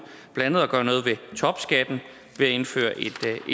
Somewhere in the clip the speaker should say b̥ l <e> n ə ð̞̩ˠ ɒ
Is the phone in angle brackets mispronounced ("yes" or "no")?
yes